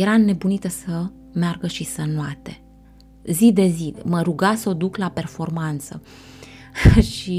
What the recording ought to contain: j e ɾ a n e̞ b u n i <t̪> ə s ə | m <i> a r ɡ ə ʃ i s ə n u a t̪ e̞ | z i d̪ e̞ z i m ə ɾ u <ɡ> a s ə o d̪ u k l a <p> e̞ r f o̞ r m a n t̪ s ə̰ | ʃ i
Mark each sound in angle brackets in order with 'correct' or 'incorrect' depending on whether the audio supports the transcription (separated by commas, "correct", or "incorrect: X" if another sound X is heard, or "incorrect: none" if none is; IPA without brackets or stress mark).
correct, incorrect: e, correct, correct